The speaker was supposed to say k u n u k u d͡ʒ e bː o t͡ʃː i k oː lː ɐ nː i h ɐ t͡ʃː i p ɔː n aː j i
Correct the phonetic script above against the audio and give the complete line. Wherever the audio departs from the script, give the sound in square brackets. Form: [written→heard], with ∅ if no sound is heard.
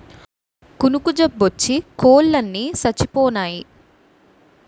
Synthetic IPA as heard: k u n u k u d͡ʒ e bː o t͡ʃː i k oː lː ɐ nː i [h→s] ɐ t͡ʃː i p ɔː n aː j i